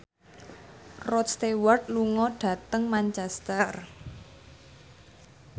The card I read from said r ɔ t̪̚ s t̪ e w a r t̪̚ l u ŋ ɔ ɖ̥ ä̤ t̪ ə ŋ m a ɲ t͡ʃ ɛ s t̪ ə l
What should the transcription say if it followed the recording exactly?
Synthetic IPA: r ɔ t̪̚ s t̪ e w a r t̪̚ l u ŋ ɔ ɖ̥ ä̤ t̪ ə ŋ m a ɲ t͡ʃ ɛ s t̪ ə r